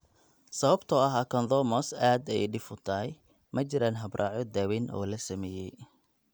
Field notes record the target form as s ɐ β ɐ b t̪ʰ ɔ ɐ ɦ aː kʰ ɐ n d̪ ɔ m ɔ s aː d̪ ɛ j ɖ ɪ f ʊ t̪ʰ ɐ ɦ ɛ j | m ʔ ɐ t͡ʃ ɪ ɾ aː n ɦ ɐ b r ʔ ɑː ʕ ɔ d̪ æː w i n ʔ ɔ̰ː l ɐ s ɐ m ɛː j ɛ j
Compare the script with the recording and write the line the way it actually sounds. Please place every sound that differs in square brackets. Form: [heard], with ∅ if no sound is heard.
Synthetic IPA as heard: s ɐ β ɐ b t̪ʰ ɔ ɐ ɦ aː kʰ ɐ n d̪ ɔ m ɔ s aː d̪ ɛ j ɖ ɪ f ʊ t̪ʰ ɐ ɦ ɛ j | m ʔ ɐ t͡ʃ ɪ ɾ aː n ɦ ɐ b r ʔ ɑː ʕ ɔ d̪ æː w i n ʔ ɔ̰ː l ɐ s ɐ m ɛː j ɛ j